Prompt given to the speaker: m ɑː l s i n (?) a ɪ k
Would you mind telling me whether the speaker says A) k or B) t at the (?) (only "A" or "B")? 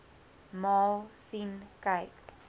A